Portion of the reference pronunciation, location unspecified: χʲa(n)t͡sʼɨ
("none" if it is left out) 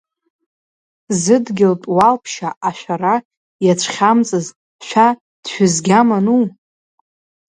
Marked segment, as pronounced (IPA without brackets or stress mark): m